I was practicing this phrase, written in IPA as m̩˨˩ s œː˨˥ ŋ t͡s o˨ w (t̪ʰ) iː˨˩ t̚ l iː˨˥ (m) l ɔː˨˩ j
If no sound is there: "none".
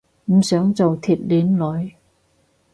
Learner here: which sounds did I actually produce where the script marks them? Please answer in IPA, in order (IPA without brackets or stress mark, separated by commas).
t̪ʰ, n